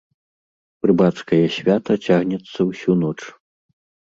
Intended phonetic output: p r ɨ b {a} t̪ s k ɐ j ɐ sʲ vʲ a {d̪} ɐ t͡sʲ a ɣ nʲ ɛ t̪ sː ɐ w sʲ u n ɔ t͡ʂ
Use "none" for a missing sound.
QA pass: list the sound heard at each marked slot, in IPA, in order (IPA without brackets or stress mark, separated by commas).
a, t̪